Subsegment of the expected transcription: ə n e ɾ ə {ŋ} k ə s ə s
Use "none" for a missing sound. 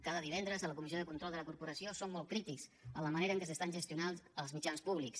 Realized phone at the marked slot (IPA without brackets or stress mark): ŋ